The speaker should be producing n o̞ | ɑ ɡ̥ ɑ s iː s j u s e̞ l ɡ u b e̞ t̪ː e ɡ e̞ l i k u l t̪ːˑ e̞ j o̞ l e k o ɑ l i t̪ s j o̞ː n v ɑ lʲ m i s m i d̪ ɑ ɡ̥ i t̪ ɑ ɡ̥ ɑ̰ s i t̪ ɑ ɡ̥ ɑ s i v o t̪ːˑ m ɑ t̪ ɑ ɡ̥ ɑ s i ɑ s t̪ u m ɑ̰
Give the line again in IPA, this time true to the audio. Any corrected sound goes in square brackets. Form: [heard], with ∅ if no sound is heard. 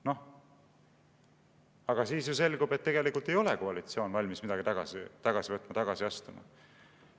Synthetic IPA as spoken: n o̞ | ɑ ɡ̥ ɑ s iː s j u s e̞ l ɡ u b e̞ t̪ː e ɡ e̞ l i k u l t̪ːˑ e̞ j o̞ l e k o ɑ l i t̪ s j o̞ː n v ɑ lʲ m i s m i d̪ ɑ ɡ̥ i t̪ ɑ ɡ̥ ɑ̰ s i t̪ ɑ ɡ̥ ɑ s i v [ɤ] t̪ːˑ m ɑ t̪ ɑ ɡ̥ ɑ s i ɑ s t̪ u m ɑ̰